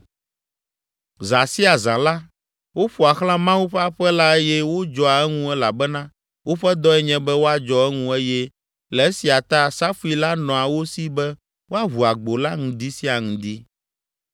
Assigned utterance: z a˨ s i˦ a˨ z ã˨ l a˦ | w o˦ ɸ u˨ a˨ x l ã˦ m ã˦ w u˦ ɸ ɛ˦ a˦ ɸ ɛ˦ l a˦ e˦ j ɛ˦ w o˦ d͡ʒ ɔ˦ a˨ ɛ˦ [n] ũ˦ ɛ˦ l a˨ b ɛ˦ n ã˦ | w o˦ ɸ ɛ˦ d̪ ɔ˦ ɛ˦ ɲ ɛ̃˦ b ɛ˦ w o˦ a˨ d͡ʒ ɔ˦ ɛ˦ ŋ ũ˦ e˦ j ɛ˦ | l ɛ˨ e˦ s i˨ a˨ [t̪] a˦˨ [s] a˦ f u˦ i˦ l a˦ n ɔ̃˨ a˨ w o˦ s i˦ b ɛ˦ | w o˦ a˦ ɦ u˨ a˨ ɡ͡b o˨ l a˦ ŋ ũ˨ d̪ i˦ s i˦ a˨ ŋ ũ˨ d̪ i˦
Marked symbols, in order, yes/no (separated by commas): no, yes, yes